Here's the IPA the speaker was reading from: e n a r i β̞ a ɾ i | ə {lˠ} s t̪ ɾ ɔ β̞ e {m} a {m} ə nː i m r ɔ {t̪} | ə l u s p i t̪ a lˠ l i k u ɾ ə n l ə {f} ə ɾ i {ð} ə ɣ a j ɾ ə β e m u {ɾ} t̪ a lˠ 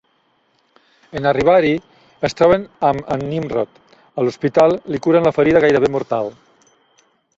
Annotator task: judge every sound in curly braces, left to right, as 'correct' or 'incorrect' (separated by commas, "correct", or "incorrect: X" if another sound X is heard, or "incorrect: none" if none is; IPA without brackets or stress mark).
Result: incorrect: none, incorrect: n, correct, correct, correct, correct, correct